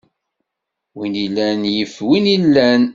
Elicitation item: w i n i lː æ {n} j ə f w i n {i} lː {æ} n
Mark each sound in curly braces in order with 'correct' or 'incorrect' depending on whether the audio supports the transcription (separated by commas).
correct, correct, correct